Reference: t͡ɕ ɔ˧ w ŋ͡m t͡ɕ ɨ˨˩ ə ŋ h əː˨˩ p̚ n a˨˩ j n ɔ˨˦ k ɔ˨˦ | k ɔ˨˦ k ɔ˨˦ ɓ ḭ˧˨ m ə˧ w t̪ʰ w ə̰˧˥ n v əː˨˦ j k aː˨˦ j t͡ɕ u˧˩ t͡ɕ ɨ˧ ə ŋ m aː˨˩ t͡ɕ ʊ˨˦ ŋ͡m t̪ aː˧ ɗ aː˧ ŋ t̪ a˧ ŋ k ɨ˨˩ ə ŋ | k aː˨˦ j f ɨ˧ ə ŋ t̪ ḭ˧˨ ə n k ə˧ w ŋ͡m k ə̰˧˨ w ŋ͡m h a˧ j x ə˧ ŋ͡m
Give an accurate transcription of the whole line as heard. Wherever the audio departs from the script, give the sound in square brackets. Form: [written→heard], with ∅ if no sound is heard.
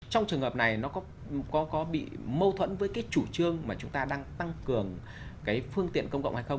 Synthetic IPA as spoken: t͡ɕ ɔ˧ w ŋ͡m t͡ɕ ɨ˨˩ ə ŋ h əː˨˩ p̚ n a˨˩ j n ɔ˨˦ k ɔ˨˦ | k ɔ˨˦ k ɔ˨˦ ɓ ḭ˧˨ m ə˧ w t̪ʰ w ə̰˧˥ n v əː˨˦ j k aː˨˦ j t͡ɕ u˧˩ t͡ɕ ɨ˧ ə ŋ m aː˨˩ t͡ɕ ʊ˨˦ ŋ͡m t̪ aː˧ ɗ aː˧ ŋ t̪ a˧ ŋ k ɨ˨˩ ə ŋ | k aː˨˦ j f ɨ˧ ə ŋ t̪ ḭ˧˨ ə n k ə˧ w ŋ͡m k ə̰˧˨ w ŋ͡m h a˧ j x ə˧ ŋ͡m